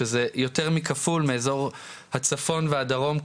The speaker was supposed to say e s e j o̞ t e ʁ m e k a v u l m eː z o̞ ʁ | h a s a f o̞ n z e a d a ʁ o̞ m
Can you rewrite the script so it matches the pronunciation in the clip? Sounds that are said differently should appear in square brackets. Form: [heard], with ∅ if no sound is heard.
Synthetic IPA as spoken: e [z] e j o̞ t e ʁ m [i] k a [f] u l m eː z o̞ ʁ | h a [t͡s] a f o̞ n [v] e a d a ʁ o̞ m